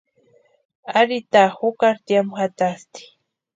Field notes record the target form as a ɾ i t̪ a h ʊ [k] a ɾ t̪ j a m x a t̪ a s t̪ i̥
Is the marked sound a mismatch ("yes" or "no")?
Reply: no